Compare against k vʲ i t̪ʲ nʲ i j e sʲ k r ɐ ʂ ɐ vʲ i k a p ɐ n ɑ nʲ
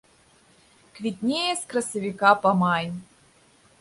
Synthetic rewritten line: k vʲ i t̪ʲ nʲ e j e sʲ k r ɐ s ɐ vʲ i k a p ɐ m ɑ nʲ